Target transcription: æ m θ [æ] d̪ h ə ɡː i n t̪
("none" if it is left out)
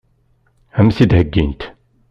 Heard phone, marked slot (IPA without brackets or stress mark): i